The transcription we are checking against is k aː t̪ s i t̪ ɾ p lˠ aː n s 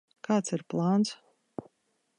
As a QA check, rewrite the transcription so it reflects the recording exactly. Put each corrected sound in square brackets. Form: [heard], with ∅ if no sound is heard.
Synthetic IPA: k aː t̪ s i [∅] ɾ p lˠ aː n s